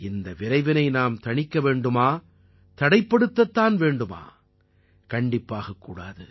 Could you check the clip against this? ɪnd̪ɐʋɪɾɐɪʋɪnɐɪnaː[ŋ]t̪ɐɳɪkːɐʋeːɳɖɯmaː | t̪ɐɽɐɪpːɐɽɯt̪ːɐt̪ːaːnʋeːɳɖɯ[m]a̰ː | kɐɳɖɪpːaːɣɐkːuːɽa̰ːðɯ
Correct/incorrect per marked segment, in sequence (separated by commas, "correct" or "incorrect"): incorrect, correct